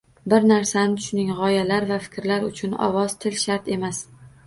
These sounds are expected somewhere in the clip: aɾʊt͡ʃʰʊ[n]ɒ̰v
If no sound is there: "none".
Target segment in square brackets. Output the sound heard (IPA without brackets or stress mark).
n